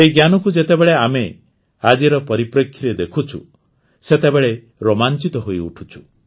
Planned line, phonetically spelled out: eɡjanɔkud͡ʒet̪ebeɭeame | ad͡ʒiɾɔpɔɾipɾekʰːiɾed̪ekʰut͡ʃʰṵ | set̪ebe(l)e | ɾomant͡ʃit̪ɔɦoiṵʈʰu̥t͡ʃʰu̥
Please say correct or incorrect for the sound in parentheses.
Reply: incorrect: ɭ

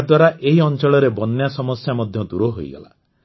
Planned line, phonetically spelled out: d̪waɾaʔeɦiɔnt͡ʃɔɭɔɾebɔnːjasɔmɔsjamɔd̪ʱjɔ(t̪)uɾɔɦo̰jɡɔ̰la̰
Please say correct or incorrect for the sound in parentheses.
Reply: incorrect: d̪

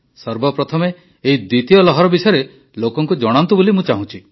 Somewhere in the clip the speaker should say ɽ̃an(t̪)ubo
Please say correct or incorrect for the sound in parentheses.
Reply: correct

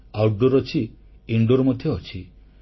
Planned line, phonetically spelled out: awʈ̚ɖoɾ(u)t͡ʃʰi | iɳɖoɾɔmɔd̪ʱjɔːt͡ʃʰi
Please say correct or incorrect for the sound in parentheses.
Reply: incorrect: ɔ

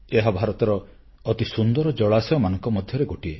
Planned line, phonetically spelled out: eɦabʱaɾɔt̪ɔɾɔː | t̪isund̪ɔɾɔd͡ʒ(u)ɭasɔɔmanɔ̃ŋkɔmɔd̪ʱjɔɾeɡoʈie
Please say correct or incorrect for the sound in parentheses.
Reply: incorrect: ɔ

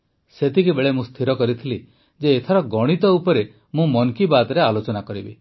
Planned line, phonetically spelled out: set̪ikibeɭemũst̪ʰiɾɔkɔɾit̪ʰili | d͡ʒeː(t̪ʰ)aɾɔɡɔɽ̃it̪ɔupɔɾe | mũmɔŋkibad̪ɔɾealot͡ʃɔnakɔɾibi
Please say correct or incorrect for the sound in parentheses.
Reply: correct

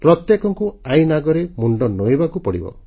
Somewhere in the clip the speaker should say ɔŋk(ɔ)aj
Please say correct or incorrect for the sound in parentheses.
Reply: incorrect: u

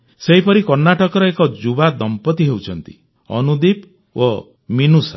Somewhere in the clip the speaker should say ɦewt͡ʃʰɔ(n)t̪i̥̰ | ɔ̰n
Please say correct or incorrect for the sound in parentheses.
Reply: correct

